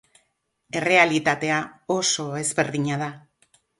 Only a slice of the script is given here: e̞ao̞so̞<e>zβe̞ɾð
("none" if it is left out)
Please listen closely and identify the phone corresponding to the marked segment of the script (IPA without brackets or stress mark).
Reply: e